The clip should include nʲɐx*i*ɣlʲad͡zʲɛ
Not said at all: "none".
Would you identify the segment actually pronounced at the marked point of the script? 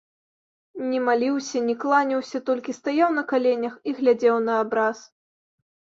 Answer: i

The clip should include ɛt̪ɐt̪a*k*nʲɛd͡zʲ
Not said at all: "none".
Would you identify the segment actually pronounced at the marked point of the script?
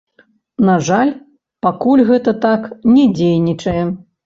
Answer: k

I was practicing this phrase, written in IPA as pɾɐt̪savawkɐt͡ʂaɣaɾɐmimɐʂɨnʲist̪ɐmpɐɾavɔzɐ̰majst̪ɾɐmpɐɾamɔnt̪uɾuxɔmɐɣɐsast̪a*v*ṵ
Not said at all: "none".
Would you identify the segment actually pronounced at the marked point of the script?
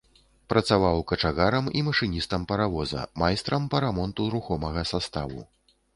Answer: v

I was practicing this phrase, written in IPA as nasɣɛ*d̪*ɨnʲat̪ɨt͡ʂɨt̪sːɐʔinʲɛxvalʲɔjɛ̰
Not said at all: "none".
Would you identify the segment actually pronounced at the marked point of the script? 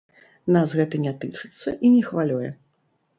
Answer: t̪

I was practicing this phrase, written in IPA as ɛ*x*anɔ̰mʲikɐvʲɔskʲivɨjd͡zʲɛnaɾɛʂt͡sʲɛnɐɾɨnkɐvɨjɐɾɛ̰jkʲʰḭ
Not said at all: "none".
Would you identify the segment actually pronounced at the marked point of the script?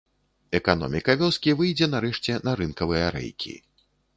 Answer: k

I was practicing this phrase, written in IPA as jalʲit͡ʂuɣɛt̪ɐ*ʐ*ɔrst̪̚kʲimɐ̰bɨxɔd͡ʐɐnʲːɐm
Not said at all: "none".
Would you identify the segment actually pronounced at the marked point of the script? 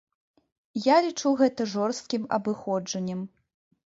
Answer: ʐ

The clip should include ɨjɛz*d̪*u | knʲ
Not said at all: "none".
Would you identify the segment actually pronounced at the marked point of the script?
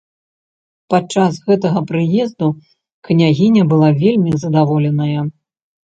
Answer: d̪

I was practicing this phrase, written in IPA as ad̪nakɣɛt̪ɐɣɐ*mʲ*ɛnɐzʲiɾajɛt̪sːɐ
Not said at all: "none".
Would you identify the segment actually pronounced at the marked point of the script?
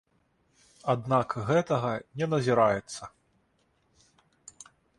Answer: nʲ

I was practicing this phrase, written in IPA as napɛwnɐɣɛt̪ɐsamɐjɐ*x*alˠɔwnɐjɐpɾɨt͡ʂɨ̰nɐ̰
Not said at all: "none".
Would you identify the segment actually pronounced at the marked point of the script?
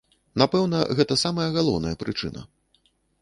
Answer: ɣ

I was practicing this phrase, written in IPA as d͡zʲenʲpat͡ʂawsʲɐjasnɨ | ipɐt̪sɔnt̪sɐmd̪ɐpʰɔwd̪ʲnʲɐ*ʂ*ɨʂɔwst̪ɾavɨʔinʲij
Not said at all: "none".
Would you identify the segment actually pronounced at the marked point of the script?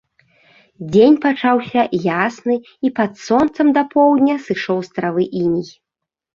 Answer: s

